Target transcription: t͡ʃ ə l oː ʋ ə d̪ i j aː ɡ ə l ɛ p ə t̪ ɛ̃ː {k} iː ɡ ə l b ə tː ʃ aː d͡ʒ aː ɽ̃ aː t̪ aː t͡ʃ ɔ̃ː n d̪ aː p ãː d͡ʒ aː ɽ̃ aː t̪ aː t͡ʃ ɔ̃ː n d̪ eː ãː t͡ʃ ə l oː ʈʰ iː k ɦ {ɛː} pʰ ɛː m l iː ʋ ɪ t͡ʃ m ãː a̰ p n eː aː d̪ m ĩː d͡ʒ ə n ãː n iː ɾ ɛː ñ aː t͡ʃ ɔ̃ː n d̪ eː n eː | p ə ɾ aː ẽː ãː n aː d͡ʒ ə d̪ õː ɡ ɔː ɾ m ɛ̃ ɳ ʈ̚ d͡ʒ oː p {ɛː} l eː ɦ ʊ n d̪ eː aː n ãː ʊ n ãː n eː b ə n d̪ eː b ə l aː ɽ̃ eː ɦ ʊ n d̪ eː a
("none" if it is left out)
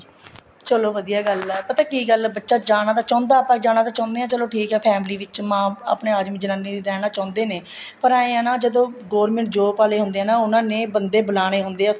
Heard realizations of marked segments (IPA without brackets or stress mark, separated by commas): k, ɛː, aː